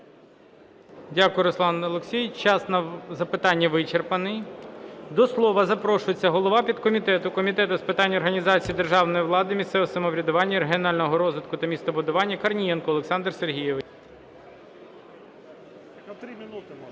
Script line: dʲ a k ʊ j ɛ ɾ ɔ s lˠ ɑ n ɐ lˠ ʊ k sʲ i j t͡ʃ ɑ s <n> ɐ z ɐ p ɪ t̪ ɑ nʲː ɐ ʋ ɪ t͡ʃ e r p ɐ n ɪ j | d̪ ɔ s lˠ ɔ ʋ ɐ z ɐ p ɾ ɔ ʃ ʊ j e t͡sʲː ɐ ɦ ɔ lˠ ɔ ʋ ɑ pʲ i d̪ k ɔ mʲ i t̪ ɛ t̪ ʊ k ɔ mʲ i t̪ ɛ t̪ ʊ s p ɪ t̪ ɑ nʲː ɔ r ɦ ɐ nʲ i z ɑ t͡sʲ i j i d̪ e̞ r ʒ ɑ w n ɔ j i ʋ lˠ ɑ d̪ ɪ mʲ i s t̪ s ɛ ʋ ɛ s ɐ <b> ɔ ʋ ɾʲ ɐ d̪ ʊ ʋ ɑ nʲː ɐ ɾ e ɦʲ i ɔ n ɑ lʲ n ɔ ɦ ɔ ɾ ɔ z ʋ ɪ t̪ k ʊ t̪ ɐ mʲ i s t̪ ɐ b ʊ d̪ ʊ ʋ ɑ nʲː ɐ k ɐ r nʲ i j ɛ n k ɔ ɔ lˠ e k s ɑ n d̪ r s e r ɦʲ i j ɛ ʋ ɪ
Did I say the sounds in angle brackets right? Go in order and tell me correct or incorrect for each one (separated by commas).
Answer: correct, incorrect